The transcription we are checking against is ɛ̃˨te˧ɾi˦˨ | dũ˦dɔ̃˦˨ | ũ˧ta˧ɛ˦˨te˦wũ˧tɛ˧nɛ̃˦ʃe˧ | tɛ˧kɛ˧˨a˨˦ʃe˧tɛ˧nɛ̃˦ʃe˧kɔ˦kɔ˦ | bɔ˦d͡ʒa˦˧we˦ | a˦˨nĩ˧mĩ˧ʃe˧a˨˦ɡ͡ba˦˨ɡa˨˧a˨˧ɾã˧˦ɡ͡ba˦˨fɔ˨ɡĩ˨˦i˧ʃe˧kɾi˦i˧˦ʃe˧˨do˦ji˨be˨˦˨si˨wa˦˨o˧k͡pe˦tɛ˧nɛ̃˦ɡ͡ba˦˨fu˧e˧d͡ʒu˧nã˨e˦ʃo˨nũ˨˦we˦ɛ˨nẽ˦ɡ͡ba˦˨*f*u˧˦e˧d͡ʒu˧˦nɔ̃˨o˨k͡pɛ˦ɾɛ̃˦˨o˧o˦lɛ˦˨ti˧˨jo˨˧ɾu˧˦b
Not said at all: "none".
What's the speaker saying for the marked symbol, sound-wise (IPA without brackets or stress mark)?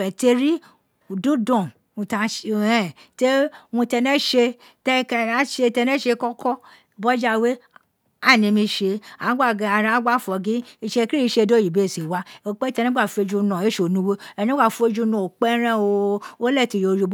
f